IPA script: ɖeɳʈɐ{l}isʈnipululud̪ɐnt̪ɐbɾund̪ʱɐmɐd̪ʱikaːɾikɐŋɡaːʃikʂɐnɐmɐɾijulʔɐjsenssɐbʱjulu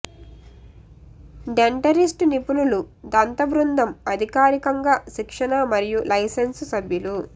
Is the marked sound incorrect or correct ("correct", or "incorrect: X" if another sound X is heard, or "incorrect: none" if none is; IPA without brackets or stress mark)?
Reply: incorrect: ɾ